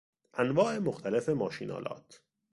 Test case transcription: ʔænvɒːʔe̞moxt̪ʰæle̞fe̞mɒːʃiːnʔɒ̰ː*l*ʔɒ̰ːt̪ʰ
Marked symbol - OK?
yes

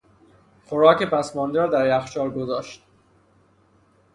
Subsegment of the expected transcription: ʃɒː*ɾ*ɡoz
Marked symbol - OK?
yes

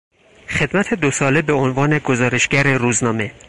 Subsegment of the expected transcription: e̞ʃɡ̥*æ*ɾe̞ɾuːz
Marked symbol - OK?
yes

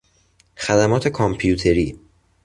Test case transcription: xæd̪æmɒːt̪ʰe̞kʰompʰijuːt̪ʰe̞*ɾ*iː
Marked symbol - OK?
yes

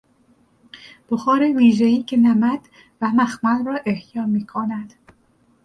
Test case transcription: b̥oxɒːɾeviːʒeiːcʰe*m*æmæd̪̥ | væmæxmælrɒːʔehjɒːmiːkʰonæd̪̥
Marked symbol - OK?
no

